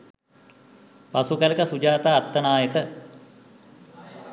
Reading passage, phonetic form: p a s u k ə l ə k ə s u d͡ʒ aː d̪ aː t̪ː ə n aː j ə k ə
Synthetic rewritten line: p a s u k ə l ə k ə s u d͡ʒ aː t̪ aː t̪ː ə n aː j ə k ə